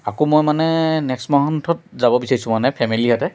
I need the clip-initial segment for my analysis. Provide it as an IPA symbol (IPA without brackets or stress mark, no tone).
a